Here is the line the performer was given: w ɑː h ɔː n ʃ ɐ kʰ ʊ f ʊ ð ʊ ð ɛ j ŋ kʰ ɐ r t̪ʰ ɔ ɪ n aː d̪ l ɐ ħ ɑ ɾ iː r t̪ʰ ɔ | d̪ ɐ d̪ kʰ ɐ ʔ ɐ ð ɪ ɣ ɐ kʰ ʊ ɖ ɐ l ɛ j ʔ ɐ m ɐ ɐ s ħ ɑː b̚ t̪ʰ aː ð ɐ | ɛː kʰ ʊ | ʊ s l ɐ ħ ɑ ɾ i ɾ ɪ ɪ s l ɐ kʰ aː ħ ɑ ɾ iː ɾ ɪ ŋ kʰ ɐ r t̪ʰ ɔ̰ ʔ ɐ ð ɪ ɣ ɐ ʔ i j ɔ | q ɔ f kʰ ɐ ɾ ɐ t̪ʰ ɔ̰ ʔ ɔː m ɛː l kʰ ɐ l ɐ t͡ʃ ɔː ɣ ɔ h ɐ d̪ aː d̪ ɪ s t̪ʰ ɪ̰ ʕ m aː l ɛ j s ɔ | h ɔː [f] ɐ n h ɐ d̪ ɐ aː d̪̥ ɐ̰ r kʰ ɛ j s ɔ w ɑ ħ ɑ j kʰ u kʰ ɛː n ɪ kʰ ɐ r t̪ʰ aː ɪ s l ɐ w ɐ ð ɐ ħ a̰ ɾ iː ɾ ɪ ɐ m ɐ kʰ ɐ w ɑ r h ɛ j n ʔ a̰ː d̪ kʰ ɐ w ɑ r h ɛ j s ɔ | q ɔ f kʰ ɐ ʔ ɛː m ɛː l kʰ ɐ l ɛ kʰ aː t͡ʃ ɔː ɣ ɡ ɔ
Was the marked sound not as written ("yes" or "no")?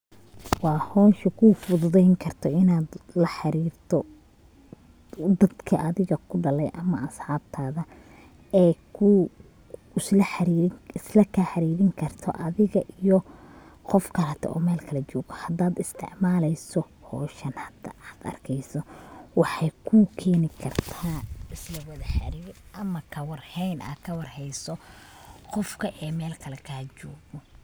yes